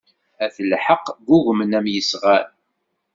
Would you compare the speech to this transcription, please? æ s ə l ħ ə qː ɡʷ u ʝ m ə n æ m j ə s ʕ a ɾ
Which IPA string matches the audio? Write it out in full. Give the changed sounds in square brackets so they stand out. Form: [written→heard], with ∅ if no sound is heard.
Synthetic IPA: æ [s→θ] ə l ħ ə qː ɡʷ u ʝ m ə n æ m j ə s [ʕ→ʁ] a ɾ